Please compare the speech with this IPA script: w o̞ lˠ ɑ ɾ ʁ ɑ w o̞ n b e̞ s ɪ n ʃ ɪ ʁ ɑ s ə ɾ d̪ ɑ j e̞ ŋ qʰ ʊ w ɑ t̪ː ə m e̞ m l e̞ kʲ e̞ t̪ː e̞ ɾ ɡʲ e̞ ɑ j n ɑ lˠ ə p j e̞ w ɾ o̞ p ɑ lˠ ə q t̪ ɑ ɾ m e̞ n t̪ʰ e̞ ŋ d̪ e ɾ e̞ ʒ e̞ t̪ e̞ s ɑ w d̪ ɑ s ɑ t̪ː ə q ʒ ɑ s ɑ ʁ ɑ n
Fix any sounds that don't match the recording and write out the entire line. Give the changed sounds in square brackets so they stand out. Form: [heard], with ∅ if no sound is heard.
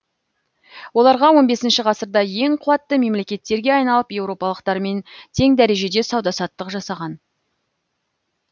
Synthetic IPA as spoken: w o̞ lˠ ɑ ɾ ʁ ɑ w o̞ n b e̞ s ɪ n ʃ ɪ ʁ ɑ s ə ɾ d̪ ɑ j e̞ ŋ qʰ ʊ w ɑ t̪ː ə m e̞ m l e̞ kʲ e̞ t̪ː e̞ ɾ ɡʲ e̞ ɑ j n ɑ lˠ ə p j e̞ w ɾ o̞ p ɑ lˠ ə q t̪ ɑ ɾ m e̞ n t̪ʰ e̞ ŋ d̪ [æ] ɾ e̞ ʒ e̞ [d̪] e̞ s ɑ w d̪ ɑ s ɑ t̪ː ə q ʒ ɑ s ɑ ʁ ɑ n